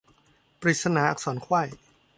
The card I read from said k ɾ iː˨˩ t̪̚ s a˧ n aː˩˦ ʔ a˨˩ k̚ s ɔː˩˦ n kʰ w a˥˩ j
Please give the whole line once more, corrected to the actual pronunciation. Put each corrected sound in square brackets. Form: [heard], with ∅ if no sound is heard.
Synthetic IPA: [p] ɾ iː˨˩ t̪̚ s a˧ n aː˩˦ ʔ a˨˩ k̚ s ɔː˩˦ n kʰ w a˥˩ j